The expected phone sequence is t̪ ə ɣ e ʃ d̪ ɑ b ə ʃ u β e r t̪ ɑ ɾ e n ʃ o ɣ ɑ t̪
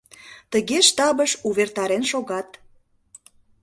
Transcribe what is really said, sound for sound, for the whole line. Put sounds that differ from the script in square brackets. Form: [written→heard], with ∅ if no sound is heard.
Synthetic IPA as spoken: t̪ ə ɣ e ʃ [d̪→t̪] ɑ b ə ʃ u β e r t̪ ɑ ɾ e n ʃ o ɣ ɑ t̪